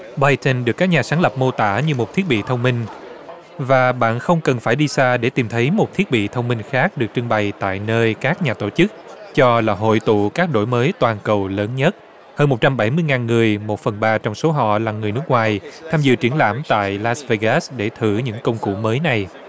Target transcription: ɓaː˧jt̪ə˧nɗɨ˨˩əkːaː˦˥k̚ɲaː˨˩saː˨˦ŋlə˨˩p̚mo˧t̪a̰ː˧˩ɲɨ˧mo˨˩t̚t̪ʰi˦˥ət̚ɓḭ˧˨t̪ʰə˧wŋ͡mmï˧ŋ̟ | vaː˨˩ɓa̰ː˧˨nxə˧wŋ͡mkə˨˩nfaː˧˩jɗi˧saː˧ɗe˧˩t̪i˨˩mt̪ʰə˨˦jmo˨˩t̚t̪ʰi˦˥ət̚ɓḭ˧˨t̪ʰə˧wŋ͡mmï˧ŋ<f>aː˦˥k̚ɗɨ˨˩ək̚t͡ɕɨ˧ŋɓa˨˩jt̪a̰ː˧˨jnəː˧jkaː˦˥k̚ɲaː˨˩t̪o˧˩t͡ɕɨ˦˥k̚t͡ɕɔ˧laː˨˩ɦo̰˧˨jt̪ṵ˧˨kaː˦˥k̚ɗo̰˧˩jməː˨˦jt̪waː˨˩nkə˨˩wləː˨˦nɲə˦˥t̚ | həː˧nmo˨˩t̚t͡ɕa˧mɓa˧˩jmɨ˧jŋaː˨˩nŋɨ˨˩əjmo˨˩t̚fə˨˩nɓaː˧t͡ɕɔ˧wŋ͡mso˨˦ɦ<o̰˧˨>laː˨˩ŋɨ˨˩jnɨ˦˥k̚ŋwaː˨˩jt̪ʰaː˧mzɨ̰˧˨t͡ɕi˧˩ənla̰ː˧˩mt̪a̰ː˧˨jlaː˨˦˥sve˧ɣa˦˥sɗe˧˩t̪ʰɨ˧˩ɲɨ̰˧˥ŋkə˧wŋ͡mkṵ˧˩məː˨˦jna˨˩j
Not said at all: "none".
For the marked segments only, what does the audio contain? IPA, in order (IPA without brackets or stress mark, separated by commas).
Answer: x, ɔ̰˧˨